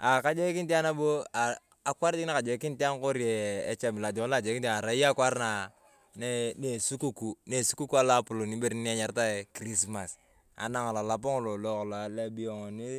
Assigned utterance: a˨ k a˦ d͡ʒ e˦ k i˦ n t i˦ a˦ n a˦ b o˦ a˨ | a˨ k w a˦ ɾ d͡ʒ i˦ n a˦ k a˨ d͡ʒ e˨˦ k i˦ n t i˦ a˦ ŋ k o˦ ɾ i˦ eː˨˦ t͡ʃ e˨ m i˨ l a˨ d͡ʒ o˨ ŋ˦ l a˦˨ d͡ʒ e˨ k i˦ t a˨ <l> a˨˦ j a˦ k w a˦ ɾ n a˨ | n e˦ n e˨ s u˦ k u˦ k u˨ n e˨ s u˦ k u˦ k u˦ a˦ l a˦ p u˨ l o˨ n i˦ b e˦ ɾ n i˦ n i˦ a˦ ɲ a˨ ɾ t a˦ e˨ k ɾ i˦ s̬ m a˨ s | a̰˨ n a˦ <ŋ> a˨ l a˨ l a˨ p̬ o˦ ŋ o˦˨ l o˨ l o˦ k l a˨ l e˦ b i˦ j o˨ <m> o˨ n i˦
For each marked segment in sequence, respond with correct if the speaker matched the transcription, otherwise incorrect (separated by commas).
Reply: incorrect, correct, incorrect